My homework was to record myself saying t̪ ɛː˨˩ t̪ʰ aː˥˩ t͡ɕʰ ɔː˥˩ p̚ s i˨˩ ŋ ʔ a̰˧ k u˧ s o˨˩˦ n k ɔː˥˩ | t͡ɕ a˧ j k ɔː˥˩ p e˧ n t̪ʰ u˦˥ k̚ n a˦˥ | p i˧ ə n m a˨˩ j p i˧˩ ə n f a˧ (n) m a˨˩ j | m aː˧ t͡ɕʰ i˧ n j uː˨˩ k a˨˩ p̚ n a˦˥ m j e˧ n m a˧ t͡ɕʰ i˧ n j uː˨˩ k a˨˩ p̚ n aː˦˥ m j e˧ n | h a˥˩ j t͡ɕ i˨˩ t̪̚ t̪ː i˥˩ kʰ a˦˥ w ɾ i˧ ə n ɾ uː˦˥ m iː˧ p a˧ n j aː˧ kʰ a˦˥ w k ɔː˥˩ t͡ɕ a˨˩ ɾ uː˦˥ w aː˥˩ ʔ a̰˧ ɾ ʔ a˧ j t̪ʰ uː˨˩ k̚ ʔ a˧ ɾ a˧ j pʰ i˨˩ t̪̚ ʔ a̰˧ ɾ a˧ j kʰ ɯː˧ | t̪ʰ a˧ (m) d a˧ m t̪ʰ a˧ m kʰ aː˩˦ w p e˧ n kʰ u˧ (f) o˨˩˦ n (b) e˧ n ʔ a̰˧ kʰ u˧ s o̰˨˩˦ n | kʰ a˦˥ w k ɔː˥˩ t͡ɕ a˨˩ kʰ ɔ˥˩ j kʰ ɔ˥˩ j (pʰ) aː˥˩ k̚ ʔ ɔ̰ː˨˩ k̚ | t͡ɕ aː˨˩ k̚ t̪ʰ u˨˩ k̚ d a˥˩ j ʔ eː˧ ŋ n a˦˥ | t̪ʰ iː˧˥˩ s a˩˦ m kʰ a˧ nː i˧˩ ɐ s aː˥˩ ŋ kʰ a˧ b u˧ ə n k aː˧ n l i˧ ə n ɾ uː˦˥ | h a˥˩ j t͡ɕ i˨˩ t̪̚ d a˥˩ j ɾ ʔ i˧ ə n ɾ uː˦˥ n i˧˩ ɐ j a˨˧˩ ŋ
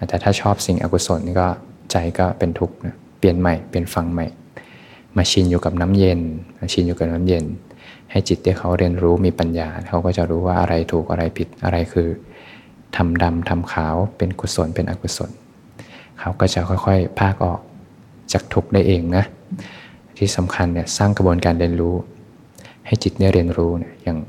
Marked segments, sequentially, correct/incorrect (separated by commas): incorrect, correct, incorrect, incorrect, correct